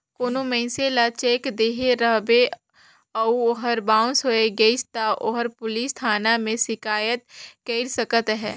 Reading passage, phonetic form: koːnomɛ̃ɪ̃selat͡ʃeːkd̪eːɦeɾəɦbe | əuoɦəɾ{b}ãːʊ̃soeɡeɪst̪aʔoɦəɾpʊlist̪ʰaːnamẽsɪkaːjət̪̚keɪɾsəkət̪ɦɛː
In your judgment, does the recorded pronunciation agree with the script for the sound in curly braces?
yes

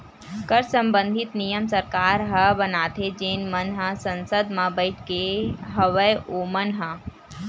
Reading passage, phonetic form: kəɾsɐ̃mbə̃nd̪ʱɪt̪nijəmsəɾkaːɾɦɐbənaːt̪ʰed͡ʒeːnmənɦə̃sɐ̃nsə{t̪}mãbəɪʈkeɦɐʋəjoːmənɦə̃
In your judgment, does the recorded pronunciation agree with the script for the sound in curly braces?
no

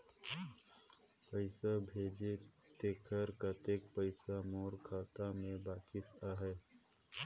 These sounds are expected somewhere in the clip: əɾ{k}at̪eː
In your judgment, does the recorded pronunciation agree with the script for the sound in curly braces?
yes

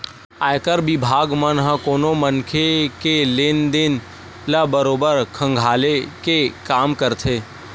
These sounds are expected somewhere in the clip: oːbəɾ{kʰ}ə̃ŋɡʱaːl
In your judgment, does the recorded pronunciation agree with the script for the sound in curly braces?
yes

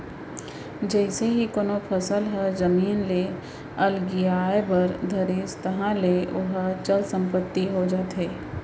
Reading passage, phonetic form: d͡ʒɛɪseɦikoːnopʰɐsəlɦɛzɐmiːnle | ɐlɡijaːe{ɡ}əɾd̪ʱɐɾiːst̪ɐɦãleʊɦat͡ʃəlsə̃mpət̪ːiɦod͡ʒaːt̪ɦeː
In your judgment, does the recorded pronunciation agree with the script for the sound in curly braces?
no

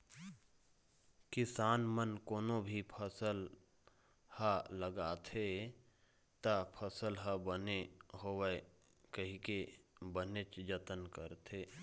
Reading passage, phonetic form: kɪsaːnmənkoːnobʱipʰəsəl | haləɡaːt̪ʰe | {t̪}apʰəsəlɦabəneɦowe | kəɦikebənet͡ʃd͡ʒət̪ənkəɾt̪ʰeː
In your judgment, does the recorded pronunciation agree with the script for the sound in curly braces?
yes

